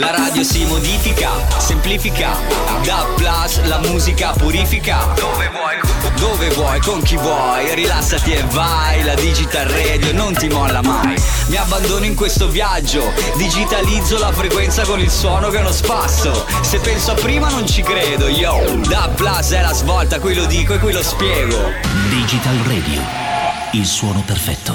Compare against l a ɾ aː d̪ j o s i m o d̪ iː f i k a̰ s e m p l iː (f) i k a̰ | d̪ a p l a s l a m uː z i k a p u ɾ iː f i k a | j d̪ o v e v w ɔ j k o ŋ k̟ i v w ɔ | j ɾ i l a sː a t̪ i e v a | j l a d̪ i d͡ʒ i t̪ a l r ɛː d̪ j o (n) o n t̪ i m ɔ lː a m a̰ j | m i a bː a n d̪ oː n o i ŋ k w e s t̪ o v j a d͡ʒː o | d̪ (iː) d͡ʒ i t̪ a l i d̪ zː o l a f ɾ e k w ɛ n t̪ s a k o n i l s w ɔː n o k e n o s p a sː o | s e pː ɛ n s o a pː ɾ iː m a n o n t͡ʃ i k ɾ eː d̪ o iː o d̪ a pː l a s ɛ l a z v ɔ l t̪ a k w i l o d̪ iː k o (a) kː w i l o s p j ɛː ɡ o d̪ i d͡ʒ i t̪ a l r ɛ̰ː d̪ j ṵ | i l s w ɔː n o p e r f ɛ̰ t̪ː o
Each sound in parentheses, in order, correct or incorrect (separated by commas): correct, correct, incorrect, incorrect